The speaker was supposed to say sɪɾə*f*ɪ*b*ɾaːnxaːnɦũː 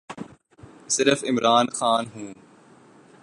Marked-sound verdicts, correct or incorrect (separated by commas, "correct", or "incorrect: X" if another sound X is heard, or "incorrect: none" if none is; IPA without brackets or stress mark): correct, incorrect: m